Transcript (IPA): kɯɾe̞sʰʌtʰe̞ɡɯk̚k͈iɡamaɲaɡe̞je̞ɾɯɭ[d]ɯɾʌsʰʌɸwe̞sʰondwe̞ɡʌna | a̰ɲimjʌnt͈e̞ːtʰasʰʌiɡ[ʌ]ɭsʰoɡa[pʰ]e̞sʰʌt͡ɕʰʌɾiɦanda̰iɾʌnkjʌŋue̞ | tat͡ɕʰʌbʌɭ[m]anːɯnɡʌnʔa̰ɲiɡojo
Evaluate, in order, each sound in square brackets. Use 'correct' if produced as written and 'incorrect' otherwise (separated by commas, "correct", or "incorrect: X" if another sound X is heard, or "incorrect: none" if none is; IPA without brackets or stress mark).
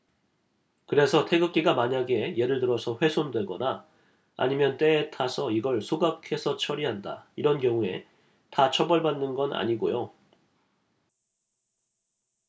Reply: incorrect: t, correct, incorrect: kʰ, incorrect: b